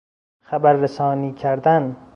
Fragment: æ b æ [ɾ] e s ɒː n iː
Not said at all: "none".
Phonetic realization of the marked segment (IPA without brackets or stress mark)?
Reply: ɾː